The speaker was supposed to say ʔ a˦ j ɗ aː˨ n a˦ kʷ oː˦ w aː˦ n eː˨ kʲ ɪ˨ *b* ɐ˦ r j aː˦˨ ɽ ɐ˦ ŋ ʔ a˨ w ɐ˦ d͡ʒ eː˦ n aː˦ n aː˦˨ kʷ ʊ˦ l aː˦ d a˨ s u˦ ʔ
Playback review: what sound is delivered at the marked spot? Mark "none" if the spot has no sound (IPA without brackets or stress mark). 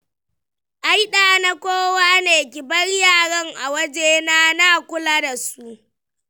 b